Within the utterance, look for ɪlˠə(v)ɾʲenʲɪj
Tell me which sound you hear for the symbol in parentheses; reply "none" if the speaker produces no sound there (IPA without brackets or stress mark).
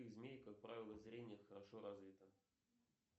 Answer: z